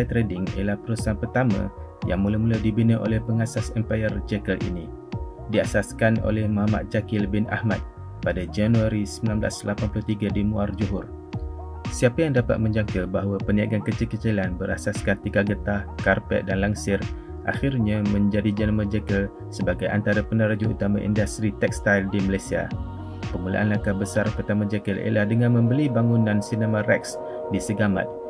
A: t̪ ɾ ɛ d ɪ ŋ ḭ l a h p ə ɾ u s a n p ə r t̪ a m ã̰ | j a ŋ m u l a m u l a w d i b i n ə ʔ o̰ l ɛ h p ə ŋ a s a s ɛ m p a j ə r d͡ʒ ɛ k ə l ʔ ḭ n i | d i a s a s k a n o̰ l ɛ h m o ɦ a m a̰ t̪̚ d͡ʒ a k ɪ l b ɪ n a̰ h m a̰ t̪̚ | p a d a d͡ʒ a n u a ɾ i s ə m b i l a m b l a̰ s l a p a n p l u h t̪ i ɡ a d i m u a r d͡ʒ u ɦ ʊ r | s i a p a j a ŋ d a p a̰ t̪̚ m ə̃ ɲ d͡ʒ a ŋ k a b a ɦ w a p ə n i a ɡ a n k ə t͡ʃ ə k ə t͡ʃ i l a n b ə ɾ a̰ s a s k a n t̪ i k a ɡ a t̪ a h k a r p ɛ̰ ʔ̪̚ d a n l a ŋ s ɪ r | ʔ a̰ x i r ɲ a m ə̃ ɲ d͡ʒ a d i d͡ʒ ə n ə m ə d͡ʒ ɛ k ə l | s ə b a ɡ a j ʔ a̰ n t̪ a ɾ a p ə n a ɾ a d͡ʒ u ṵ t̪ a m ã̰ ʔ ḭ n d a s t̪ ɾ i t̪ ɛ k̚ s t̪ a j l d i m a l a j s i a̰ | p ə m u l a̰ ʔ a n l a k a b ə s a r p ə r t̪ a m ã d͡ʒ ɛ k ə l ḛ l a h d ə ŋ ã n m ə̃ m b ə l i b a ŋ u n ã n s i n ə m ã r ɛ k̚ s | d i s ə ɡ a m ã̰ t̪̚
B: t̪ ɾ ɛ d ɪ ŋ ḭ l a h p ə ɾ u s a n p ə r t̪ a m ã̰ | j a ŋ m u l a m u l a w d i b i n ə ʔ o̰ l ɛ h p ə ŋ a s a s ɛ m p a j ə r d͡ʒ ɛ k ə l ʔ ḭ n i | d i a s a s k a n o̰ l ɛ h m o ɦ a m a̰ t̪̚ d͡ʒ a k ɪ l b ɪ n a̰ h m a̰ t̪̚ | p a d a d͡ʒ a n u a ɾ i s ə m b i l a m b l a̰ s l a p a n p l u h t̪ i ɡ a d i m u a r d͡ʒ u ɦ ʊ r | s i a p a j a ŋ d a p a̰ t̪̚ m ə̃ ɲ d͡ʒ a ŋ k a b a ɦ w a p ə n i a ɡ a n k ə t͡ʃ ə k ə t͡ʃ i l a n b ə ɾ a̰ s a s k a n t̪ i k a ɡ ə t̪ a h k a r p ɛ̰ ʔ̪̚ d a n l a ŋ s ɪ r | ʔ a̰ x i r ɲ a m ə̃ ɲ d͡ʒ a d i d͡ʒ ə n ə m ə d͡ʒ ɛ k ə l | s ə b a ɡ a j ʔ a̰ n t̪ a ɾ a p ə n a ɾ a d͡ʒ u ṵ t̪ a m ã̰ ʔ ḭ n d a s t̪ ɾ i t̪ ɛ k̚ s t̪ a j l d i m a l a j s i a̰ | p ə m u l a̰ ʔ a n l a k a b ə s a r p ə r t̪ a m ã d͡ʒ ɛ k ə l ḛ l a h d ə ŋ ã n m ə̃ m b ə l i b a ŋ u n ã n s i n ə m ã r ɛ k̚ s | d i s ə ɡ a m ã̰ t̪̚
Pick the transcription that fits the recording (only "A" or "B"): B